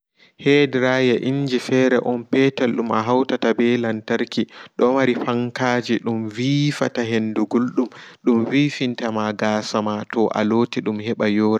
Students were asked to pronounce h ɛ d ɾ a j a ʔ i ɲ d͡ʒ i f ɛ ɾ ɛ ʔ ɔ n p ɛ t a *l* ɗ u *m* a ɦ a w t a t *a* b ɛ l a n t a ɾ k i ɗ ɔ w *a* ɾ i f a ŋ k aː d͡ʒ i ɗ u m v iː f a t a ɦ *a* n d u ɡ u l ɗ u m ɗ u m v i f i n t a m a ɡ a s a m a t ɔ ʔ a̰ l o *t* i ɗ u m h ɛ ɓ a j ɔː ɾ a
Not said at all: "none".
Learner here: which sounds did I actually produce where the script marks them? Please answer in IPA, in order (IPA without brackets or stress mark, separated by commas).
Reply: l, m, a, a, e, t